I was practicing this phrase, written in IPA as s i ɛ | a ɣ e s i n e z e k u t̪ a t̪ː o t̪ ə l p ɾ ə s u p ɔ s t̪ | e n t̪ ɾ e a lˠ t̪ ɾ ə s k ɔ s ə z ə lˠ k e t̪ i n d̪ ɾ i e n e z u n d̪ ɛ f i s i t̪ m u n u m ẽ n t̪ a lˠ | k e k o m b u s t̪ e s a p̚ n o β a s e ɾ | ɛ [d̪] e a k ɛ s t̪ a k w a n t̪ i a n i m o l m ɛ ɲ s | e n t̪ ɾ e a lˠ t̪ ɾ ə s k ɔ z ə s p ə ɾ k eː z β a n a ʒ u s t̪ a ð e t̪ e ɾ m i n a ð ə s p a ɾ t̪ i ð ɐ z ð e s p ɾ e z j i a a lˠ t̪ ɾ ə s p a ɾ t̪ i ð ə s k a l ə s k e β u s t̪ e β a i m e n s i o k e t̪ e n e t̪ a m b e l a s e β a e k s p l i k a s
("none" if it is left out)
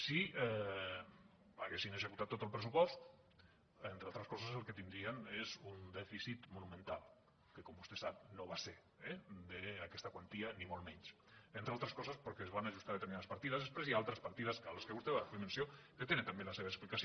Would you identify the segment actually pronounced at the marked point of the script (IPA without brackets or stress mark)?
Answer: d̪